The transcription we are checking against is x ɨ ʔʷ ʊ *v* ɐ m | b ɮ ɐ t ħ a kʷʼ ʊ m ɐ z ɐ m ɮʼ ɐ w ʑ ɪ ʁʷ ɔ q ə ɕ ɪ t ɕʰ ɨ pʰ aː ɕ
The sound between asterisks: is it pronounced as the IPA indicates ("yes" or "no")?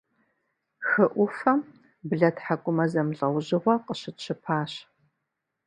no